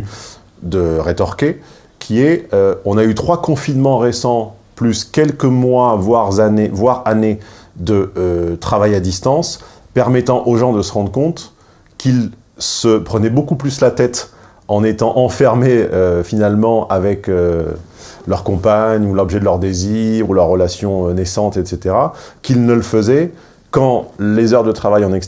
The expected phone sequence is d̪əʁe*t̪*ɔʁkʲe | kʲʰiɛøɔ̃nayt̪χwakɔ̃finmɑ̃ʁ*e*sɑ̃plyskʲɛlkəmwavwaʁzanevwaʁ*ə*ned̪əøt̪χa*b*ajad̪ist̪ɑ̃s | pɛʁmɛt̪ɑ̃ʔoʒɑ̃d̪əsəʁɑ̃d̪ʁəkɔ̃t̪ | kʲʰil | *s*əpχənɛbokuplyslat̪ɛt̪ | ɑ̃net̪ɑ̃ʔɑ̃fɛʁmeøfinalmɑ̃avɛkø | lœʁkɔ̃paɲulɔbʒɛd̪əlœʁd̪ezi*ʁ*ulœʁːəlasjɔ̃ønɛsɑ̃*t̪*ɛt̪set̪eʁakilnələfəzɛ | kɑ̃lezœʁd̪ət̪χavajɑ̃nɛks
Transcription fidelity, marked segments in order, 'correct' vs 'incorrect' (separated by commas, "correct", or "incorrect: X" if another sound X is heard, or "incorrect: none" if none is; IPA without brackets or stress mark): correct, correct, incorrect: a, incorrect: v, correct, correct, correct